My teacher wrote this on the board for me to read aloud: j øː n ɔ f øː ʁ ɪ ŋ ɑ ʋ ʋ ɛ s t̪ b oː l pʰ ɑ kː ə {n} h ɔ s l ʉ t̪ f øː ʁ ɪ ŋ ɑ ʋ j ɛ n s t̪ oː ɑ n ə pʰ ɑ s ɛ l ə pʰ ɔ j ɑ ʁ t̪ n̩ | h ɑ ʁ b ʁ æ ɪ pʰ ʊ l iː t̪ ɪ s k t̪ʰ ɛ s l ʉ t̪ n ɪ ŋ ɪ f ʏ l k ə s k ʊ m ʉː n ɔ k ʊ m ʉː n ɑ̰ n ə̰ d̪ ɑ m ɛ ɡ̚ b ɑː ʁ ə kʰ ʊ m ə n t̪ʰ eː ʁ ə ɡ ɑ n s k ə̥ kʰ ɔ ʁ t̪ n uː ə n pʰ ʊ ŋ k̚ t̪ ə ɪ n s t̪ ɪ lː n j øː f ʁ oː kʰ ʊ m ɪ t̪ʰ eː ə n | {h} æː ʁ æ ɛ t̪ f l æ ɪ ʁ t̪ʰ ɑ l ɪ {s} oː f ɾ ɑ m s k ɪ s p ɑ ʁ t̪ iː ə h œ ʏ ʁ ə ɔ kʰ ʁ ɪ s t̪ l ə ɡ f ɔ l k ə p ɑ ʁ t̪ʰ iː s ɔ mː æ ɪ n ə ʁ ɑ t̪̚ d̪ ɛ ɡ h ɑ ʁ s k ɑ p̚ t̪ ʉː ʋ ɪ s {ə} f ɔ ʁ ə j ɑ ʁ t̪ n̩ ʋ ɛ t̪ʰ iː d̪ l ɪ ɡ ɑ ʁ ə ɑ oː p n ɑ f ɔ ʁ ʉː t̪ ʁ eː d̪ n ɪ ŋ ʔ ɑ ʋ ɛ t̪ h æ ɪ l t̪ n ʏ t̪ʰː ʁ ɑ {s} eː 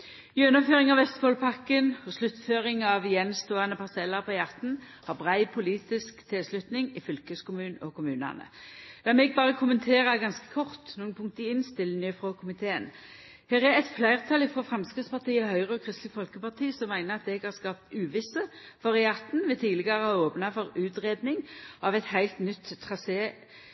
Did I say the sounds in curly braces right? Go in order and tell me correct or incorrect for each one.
correct, correct, incorrect: f, correct, correct

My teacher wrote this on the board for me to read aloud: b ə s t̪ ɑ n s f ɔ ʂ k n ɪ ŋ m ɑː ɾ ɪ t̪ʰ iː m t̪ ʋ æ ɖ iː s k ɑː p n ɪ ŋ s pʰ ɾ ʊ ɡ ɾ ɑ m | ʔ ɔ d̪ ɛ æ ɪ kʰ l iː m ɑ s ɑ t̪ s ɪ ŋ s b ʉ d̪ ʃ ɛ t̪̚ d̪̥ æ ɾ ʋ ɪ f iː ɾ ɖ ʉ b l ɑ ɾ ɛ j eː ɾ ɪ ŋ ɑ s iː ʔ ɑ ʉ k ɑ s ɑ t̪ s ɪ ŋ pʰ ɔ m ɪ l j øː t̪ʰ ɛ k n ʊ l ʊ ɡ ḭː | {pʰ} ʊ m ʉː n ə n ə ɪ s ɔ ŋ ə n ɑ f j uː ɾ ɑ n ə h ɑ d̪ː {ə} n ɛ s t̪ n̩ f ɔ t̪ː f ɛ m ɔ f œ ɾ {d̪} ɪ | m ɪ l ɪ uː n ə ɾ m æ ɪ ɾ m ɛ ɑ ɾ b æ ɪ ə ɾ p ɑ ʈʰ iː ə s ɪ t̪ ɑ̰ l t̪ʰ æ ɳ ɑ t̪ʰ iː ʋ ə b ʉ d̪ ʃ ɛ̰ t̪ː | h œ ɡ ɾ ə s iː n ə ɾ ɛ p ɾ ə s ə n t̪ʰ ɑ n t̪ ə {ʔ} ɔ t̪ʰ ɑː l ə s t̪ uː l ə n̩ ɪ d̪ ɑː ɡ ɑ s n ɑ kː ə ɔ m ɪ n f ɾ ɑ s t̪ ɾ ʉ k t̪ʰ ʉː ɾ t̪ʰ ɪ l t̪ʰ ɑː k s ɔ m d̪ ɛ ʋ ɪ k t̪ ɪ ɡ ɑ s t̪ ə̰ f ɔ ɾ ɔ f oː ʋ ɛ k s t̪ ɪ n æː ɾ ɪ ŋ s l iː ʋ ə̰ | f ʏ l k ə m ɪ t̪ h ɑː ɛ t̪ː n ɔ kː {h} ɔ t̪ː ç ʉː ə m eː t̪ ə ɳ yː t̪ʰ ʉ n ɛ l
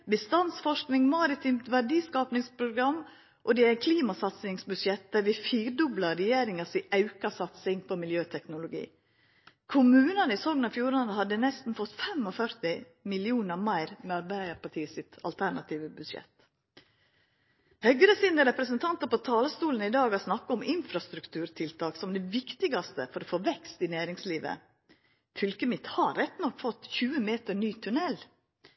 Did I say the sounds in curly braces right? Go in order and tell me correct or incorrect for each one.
incorrect: kʰ, correct, incorrect: t̪, incorrect: p, incorrect: f

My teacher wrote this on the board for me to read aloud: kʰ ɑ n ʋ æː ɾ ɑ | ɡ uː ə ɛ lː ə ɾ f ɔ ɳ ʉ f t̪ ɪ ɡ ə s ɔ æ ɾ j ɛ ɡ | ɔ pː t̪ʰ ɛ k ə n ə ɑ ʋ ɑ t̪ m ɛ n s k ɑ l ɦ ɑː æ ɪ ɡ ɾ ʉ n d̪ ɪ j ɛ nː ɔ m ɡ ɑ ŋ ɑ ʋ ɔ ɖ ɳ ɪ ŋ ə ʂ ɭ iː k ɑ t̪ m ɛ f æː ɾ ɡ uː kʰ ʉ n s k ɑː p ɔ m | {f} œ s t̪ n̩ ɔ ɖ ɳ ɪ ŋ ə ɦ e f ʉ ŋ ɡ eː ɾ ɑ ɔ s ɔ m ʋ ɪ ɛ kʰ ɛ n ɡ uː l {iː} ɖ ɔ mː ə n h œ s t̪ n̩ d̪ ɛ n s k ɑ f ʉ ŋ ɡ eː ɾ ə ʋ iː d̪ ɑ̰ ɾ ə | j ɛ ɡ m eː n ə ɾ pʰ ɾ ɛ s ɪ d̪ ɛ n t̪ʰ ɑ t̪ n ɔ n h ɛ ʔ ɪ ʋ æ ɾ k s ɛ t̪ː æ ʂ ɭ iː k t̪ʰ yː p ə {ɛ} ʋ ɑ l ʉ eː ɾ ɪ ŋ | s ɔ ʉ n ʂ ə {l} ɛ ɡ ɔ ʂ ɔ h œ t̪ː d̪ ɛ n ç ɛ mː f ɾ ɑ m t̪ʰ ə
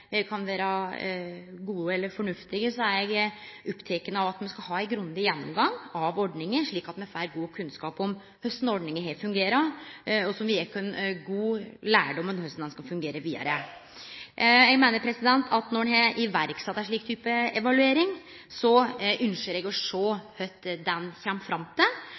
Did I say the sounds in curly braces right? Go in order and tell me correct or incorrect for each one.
incorrect: h, incorrect: æː, correct, incorrect: ɾ

